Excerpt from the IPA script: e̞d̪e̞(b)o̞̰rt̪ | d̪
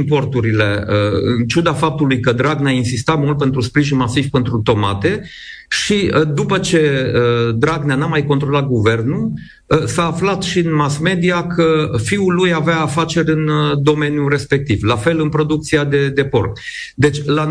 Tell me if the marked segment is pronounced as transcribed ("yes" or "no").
no